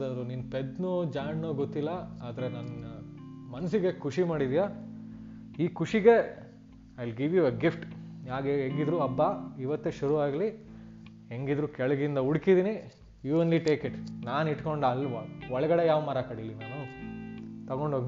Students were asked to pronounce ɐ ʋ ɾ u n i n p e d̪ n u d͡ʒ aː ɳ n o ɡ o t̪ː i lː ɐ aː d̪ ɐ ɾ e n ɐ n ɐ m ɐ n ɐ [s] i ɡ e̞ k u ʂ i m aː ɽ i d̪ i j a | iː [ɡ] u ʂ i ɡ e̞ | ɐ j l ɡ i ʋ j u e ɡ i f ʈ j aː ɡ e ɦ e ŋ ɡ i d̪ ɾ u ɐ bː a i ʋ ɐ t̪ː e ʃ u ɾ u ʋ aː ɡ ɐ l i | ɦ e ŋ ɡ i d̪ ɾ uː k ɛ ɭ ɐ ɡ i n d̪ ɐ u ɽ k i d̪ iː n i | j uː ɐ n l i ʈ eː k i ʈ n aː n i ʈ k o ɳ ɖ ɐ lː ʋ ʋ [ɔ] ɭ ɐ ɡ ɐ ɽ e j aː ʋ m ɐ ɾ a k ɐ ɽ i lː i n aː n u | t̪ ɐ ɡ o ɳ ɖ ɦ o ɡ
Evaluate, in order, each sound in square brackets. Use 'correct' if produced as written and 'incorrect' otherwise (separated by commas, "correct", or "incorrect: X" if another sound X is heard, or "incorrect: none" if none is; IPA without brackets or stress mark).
correct, incorrect: k, correct